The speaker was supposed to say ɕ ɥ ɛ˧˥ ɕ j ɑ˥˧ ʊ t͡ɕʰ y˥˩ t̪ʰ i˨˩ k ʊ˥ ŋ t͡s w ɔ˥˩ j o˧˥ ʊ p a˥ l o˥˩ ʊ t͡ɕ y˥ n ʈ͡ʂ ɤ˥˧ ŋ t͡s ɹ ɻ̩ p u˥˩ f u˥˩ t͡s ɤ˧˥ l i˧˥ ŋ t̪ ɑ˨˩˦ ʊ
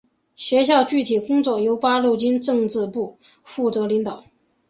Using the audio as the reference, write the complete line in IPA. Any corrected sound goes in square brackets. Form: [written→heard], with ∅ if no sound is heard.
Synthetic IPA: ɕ ɥ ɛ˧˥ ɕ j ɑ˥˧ ʊ [t͡ɕʰ→t͡ɕ] y˥˩ t̪ʰ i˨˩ k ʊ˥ ŋ t͡s w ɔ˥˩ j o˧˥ ʊ p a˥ l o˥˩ ʊ t͡ɕ [y˥→i˥] n ʈ͡ʂ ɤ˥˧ ŋ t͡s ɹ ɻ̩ p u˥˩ f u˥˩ t͡s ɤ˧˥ l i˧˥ ŋ t̪ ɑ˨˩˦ ʊ

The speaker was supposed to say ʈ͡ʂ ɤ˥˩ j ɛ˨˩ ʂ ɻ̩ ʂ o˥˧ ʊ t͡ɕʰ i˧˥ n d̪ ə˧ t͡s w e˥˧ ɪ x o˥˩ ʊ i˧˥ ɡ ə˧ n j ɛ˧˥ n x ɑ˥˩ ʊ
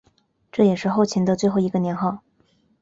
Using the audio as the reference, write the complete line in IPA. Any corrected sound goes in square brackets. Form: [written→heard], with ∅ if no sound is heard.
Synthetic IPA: ʈ͡ʂ ɤ˥˩ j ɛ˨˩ ʂ ɻ̩ [ʂ→x] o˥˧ ʊ t͡ɕʰ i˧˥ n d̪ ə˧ t͡s w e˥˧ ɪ x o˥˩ ʊ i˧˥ ɡ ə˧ n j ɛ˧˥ n x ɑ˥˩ ʊ

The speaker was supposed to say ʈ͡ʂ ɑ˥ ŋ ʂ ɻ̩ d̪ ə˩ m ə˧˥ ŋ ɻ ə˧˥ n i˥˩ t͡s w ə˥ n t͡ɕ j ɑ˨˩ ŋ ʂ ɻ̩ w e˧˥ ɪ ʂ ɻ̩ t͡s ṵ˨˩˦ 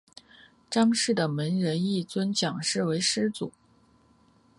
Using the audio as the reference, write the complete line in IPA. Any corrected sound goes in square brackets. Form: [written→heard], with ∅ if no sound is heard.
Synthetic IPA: ʈ͡ʂ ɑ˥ ŋ ʂ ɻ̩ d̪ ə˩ m ə˧˥ [ŋ→n] ɻ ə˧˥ n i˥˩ t͡s w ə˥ n t͡ɕ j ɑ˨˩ ŋ ʂ ɻ̩ w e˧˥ ɪ ʂ ɻ̩ t͡s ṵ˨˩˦

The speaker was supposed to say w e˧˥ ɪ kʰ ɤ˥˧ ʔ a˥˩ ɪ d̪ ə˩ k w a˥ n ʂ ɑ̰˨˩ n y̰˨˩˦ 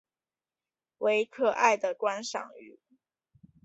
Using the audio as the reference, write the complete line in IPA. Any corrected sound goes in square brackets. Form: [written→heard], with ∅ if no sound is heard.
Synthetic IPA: w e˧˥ ɪ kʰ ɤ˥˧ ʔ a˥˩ ɪ d̪ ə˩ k w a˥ n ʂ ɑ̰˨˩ [n→ŋ] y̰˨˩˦

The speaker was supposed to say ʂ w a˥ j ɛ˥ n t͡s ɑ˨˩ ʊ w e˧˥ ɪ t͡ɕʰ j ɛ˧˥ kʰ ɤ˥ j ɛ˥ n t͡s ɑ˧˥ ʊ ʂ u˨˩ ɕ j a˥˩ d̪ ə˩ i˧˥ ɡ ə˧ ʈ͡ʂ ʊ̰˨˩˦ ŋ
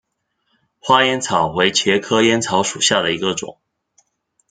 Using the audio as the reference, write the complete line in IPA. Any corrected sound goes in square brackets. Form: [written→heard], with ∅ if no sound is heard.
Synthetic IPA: [ʂ→x] w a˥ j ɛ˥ n [t͡s→t͡sʰ] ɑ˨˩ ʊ w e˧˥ ɪ t͡ɕʰ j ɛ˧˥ kʰ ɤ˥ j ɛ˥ n [t͡s→t͡sʰ] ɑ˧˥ ʊ ʂ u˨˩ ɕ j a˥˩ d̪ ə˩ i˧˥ ɡ ə˧ ʈ͡ʂ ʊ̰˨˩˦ ŋ

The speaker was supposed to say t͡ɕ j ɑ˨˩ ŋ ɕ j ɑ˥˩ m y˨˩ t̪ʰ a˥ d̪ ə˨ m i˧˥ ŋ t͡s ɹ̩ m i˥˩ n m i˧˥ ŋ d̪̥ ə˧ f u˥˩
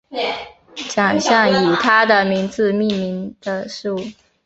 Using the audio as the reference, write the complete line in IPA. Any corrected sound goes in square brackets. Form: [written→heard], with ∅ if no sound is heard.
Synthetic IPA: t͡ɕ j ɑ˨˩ ŋ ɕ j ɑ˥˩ [m→ŋ] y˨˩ t̪ʰ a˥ d̪ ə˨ m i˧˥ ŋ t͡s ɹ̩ m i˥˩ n m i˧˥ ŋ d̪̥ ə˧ [f→ʂ] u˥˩

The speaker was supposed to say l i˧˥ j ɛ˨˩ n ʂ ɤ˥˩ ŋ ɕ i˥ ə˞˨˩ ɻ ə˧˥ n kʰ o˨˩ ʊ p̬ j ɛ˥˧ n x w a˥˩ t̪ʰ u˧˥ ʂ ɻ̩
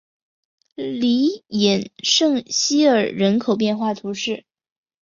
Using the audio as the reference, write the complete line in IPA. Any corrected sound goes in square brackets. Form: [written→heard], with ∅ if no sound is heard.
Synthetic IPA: l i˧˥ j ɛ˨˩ n ʂ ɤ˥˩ ŋ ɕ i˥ ə˞˨˩ ɻ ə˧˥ n kʰ o˨˩ ʊ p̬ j ɛ˥˧ n x w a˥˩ t̪ʰ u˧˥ ʂ ɻ̩

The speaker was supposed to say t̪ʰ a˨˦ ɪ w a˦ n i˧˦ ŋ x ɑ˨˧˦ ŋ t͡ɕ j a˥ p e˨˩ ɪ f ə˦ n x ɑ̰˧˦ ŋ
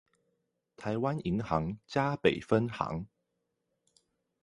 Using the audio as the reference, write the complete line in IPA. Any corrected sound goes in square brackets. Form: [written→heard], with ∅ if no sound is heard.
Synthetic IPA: t̪ʰ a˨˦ ɪ w a˦ n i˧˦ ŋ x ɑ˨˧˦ ŋ t͡ɕ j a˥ p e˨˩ ɪ f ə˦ n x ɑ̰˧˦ ŋ

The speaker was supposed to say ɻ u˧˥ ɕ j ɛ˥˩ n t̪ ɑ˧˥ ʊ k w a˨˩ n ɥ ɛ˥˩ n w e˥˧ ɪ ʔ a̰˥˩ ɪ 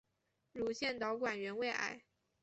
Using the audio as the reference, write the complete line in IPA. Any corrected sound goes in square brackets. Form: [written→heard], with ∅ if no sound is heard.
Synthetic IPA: ɻ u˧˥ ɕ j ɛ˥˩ n t̪ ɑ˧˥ ʊ k w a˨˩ n ɥ [ɛ˥˩→ɛ˧˥] n w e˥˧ ɪ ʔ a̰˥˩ ɪ

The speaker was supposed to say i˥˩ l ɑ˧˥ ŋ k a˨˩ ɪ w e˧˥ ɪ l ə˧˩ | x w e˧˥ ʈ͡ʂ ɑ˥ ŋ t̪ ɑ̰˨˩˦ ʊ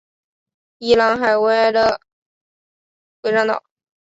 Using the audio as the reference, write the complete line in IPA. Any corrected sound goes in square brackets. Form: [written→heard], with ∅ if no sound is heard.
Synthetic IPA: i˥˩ l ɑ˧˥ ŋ [k→x] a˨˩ ɪ w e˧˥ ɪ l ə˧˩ | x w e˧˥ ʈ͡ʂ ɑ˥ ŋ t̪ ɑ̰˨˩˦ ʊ

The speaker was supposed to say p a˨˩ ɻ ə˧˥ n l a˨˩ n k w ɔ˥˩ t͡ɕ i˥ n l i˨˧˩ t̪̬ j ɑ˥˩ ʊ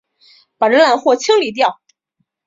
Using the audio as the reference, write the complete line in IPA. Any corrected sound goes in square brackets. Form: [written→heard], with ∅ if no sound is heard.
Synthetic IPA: p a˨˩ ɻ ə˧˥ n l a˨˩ n [k→x] w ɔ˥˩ [t͡ɕ→t͡ɕʰ] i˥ [n→ŋ] l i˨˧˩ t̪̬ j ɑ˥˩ ʊ

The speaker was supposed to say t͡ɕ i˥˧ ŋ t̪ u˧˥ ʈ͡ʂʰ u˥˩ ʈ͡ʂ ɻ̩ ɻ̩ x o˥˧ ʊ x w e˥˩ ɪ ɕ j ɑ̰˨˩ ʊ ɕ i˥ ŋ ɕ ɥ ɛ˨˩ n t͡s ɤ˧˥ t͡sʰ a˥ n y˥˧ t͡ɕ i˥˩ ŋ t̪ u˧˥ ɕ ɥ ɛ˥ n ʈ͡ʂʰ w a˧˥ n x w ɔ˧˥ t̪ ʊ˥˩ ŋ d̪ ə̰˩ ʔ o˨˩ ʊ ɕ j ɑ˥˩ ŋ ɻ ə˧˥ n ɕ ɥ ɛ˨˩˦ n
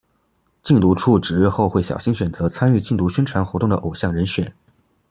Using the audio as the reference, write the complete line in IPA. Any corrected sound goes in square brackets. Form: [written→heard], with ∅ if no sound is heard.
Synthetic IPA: t͡ɕ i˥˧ ŋ t̪ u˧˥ ʈ͡ʂʰ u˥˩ ʈ͡ʂ ɻ̩ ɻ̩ x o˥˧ ʊ x w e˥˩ ɪ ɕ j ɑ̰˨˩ ʊ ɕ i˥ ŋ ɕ ɥ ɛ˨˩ n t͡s ɤ˧˥ t͡sʰ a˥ n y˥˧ t͡ɕ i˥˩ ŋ t̪ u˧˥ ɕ ɥ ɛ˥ n ʈ͡ʂʰ w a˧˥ n x w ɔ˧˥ t̪ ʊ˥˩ ŋ d̪ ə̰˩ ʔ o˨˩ ʊ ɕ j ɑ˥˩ ŋ ɻ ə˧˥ n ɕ ɥ ɛ˨˩˦ n

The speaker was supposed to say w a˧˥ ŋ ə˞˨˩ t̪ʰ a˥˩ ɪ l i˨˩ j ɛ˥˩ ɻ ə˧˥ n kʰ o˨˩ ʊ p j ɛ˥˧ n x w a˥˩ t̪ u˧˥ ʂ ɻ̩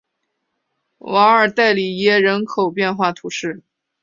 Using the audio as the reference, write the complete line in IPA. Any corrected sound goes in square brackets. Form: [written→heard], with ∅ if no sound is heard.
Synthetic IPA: w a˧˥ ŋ ə˞˨˩ [t̪ʰ→t̪] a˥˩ ɪ l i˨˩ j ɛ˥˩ ɻ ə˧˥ n kʰ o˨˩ ʊ p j ɛ˥˧ n x w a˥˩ [t̪→t̪ʰ] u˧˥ ʂ ɻ̩

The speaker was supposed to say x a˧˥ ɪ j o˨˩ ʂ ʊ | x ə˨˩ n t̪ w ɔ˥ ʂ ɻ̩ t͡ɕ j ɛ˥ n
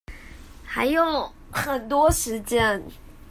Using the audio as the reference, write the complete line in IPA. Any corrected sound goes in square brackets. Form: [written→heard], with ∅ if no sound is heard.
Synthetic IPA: x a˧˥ ɪ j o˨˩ [ʂ→∅] ʊ | x ə˨˩ n t̪ w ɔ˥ ʂ ɻ̩ t͡ɕ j ɛ˥ n

